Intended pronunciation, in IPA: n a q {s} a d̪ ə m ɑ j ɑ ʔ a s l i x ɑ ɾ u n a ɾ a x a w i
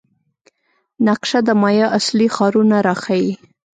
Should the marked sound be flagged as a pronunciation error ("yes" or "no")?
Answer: yes